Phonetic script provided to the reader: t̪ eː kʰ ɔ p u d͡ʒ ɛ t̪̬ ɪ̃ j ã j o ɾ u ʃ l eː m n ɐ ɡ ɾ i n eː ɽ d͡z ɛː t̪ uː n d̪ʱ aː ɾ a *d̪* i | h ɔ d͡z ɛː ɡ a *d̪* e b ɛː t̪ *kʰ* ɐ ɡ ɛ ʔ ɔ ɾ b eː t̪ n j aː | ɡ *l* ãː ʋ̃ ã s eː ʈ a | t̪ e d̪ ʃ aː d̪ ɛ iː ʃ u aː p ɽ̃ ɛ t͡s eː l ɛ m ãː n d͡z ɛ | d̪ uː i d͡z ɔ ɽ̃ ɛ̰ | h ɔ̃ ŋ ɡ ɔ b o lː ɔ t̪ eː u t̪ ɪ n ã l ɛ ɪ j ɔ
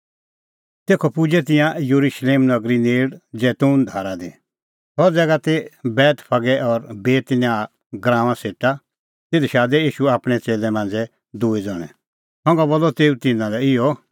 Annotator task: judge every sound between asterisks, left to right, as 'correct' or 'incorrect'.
correct, incorrect, incorrect, incorrect

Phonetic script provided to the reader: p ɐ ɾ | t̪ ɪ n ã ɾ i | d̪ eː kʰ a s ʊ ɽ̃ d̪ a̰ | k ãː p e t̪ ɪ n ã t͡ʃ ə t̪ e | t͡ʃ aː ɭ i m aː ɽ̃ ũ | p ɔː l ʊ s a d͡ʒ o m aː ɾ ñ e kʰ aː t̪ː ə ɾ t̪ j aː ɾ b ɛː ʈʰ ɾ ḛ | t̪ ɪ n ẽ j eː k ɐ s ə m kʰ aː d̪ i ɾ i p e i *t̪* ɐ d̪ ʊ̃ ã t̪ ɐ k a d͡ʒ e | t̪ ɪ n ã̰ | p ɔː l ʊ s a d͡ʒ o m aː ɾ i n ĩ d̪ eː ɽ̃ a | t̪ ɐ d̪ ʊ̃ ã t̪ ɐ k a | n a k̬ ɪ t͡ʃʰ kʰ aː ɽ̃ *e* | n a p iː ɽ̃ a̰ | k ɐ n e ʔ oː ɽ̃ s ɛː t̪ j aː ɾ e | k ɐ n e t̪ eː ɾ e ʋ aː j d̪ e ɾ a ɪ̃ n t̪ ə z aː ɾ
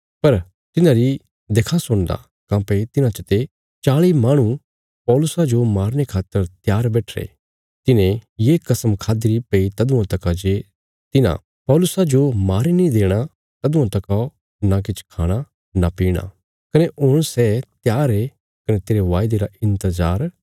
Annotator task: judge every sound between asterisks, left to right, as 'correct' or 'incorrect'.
correct, incorrect

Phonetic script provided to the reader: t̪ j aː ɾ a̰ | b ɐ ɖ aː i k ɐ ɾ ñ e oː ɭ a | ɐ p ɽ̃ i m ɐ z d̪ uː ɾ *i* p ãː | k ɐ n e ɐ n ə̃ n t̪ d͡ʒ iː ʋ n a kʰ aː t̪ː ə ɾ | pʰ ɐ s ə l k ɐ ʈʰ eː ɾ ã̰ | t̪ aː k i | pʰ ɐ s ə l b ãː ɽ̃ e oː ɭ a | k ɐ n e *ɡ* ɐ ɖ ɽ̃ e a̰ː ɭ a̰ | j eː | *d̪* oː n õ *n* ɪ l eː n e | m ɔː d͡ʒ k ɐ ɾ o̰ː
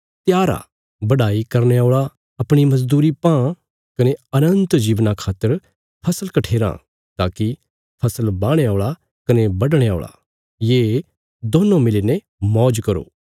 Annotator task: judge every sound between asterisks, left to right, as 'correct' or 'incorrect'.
correct, incorrect, correct, incorrect

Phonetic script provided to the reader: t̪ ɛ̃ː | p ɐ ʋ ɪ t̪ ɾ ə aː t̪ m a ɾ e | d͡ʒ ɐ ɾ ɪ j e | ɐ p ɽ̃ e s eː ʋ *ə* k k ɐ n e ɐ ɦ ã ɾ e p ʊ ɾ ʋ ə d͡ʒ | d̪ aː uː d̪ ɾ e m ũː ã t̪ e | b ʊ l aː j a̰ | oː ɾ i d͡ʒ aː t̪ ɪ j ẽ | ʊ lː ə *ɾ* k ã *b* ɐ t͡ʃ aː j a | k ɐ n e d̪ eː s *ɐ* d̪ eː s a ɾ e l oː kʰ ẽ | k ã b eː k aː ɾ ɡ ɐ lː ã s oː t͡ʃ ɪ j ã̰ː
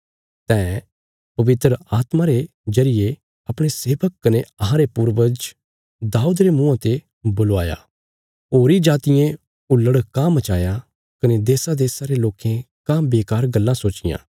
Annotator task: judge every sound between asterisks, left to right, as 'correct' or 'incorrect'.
correct, incorrect, incorrect, incorrect

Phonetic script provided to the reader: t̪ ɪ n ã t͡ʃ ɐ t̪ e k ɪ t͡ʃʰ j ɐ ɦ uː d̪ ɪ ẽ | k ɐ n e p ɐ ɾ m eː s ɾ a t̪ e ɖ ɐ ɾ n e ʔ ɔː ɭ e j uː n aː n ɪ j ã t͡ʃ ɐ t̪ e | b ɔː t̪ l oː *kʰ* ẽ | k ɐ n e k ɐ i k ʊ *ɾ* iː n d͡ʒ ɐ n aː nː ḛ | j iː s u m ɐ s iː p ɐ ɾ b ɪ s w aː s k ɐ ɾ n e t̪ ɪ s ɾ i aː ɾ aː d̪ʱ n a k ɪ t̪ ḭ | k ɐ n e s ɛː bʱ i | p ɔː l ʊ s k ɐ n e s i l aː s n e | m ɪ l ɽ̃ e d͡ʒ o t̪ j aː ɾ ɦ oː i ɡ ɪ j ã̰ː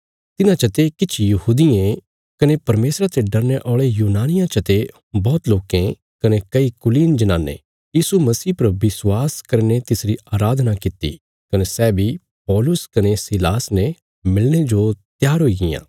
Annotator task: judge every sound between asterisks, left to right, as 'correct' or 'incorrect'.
incorrect, incorrect

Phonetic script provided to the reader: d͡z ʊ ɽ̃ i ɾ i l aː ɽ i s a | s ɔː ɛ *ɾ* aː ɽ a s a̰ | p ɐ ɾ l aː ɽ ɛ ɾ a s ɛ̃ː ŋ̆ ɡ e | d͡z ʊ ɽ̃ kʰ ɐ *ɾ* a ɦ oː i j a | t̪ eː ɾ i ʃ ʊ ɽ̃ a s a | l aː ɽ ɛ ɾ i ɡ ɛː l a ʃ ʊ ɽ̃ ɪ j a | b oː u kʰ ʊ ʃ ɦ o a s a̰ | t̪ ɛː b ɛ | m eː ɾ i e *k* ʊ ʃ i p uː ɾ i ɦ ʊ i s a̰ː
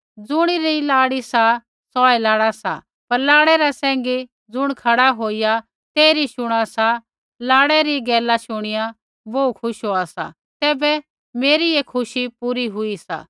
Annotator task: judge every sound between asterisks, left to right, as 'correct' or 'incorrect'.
incorrect, incorrect, incorrect

